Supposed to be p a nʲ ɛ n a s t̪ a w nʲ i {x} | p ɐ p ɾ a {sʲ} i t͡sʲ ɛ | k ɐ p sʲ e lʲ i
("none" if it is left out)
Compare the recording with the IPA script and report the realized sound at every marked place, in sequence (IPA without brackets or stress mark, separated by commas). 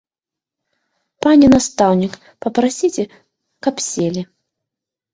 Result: k, sʲ